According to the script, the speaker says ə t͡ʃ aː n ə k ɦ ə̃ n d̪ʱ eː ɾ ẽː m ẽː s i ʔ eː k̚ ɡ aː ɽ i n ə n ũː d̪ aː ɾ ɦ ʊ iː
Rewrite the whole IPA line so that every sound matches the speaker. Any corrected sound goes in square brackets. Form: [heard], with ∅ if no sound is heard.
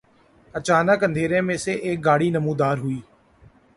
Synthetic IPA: ə t͡ʃ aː n ə k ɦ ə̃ n d̪ʱ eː ɾ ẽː m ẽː s [e] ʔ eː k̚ ɡ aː ɽ [iː] n ə [m] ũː d̪ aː ɾ ɦ ʊ iː